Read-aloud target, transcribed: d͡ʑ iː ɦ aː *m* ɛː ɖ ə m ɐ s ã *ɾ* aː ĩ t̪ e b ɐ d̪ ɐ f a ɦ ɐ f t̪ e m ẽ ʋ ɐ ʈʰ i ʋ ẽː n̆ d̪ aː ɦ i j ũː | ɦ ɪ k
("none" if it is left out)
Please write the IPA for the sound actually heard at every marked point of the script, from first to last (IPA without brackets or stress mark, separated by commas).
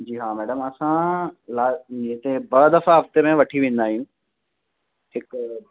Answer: m, l